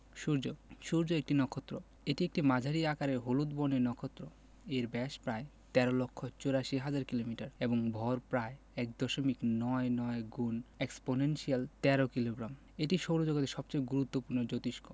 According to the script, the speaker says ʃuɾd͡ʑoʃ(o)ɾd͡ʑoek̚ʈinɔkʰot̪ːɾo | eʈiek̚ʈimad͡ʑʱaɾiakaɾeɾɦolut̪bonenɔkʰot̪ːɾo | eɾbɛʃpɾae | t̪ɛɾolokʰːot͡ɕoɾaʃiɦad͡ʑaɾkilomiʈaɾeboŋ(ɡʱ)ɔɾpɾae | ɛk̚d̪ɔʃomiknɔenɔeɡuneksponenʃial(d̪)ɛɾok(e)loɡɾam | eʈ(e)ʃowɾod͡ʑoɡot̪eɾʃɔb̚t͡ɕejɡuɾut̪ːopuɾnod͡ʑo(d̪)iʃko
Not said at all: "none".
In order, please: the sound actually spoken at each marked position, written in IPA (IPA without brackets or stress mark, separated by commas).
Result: u, bʱ, t̪, i, i, t̪